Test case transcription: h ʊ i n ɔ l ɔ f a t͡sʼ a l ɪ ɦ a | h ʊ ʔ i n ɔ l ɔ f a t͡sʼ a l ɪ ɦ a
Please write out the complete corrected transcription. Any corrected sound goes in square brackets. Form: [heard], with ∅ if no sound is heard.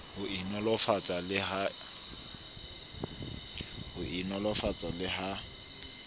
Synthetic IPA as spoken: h ʊ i n ɔ l ɔ f a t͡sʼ a l ɪ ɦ a | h ʊ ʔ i n ɔ l ɔ f a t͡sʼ a l ɪ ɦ a